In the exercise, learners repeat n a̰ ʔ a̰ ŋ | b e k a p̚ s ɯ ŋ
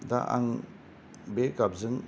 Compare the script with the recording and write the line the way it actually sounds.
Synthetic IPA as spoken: d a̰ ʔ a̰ ŋ | b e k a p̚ z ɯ ŋ

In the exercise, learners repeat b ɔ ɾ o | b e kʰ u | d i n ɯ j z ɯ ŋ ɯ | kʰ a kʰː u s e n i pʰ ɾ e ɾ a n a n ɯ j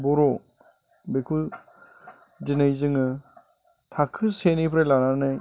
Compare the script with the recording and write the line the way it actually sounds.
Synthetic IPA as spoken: b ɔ ɾ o | b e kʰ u | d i n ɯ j z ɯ ŋ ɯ | tʰ a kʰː ɯ s e n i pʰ ɾ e l a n a n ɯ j

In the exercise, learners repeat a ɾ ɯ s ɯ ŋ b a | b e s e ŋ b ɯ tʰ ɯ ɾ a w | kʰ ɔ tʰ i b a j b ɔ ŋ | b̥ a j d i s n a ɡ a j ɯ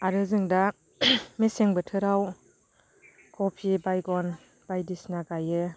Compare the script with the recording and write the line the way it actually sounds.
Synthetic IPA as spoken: a ɾ ɯ z ɯ ŋ d a | m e s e ŋ b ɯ tʰ ɯ ɾ a w | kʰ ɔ pʰ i b a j ɡ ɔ n | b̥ a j d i s n a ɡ a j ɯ

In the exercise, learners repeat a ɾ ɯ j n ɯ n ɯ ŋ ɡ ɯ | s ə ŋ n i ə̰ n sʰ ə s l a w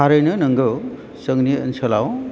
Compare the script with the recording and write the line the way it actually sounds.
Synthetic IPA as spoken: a ɾ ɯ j n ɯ n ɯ ŋ ɡ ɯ | s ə ŋ n i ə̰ n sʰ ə l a w

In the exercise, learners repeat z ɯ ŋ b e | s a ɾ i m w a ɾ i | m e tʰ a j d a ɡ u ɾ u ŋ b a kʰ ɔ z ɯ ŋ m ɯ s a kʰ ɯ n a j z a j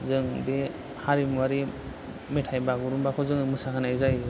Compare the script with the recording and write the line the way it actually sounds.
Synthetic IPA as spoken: z ɯ ŋ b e | h a ɾ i m w a ɾ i | m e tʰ a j b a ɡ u ɾ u m b a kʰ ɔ z ɯ ŋ m ɯ s a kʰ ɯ n a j z a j

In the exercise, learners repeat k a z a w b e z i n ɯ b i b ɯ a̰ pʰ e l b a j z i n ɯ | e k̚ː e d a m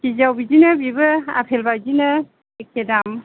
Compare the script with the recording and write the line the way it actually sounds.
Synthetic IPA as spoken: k i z a w b i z i n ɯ b i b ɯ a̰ pʰ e l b a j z i n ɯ | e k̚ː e d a m

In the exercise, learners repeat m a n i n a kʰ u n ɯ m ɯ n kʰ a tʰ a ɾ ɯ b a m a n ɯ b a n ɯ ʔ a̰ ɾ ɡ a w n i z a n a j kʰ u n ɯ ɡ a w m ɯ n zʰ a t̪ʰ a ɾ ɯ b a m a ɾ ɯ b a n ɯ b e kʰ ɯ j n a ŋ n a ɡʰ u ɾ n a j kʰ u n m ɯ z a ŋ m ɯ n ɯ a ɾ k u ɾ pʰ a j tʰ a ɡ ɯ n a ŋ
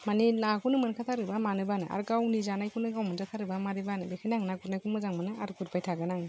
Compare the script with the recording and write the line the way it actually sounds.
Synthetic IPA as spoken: m a n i n a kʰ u n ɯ m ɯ n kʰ a tʰ a ɾ ɯ b a m a n ɯ b a n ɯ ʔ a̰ ɾ ɡ a w n i z a n a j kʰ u n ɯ ɡ a w m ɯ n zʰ a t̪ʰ a ɾ ɯ b a m a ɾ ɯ b a n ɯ b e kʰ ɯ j n a ŋ n a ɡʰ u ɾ n a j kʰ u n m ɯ z a ŋ m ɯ n ɯ a ɾ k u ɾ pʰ a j tʰ a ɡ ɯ n a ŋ

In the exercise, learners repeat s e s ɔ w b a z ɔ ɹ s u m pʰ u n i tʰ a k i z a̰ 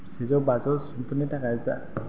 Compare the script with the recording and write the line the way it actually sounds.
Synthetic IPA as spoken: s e z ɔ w b a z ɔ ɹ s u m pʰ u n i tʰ a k a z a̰

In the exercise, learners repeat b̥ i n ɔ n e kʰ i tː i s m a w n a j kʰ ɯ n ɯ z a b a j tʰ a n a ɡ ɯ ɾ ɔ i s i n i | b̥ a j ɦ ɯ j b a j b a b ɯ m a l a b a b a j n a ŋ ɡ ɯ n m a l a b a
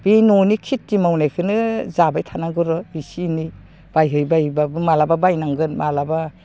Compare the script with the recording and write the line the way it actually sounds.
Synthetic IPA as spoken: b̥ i n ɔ n i kʰ i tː i m a w n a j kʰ ɯ n ɯ z a b a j tʰ a n a ɡ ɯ ɾ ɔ i s i n i | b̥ a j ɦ ɯ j b a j b a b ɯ m a l a b a b a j n a ŋ ɡ ɯ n m a l a b a

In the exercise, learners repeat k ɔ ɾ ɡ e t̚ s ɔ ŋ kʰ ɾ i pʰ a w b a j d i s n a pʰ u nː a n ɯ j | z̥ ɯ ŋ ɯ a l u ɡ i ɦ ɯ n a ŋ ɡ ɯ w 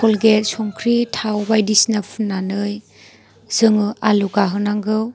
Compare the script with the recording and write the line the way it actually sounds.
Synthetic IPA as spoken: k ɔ l ɡ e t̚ s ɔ ŋ kʰ ɾ i tʰ a w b a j d i s n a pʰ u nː a n ɯ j | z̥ ɯ ŋ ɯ a l u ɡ a ɦ ɯ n a ŋ ɡ ɯ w

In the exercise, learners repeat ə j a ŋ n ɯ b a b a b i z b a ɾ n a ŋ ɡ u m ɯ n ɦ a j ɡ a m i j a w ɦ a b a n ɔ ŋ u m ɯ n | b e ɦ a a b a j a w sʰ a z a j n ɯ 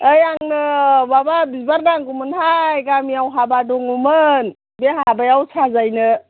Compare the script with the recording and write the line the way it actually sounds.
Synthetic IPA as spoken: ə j a ŋ n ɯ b a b a b i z b a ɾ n a ŋ ɡ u m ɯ n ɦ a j ɡ a m i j a w ɦ a b a d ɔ ŋ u m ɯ n | b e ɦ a a b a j a w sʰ a z a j n ɯ

